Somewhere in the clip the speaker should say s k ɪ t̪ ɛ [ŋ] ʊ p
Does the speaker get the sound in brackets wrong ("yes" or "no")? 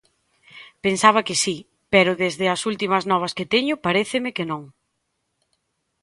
yes